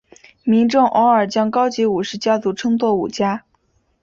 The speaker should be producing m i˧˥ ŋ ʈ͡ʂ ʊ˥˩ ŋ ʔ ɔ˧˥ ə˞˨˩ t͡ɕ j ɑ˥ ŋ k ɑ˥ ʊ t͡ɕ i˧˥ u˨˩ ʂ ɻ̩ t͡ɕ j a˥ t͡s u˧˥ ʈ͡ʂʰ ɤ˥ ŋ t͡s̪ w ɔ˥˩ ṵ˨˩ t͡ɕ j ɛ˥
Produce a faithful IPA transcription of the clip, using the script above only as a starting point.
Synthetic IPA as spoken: m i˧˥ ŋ ʈ͡ʂ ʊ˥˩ ŋ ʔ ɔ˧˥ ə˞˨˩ t͡ɕ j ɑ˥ ŋ k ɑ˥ ʊ t͡ɕ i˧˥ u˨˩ ʂ ɻ̩ t͡ɕ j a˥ t͡s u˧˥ ʈ͡ʂʰ ɤ˥ ŋ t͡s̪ w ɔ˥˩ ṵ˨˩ t͡ɕ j a˥